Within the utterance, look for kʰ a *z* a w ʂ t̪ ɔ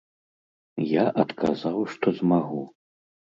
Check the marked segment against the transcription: correct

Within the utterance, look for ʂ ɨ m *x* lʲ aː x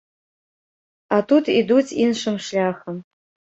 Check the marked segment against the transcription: incorrect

